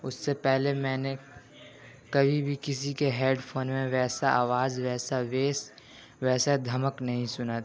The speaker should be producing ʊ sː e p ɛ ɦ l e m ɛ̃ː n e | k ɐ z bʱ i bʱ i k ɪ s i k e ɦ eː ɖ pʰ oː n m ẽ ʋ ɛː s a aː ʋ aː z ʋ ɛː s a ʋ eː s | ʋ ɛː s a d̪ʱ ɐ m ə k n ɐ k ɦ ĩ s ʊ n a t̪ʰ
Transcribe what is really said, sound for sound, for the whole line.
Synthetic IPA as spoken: ʊ sː e p ɛ ɦ l e m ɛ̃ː n e | k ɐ bʱ i bʱ i k ɪ s i k e ɦ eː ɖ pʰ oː n m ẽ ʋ ɛː s a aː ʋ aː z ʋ ɛː s a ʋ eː s | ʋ ɛː s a d̪ʱ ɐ m ə k n ɐ ɦ ĩ s ʊ n a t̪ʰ